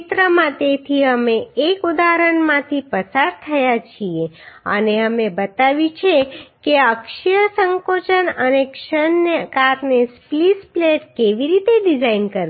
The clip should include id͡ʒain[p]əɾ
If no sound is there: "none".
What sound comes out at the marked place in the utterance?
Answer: k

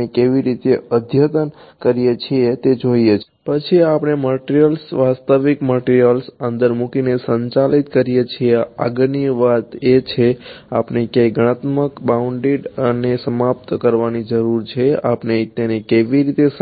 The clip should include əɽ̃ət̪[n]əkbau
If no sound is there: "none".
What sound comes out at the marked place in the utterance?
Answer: m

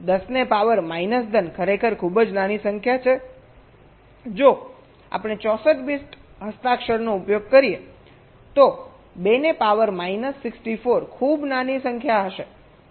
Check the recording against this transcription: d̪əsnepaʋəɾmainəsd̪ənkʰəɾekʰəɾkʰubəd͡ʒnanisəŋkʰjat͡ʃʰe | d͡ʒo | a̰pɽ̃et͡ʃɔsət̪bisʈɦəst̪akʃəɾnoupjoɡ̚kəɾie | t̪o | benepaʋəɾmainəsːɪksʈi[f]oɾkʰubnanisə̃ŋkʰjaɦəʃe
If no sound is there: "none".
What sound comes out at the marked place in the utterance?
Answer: f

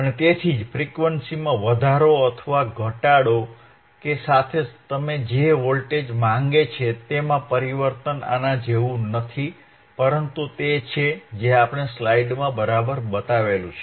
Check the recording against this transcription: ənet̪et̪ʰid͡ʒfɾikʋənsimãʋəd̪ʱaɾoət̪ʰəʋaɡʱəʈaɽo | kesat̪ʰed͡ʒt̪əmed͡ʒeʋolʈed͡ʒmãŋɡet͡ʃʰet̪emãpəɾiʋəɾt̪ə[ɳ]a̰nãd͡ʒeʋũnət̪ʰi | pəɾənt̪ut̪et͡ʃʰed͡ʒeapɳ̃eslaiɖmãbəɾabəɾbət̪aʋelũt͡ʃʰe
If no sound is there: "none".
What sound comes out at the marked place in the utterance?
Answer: n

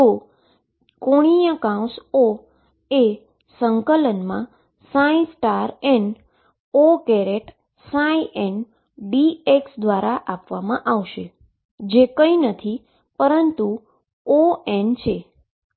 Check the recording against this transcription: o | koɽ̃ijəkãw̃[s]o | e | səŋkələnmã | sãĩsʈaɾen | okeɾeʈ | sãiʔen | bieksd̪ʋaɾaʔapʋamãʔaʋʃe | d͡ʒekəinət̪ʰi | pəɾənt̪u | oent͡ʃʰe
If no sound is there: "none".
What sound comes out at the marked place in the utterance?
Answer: s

